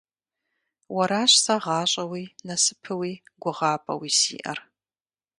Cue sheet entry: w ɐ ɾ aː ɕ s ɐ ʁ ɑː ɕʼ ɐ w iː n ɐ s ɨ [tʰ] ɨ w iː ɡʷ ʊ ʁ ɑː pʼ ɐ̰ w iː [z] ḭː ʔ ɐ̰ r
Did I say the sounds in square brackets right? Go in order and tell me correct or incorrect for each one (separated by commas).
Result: incorrect, incorrect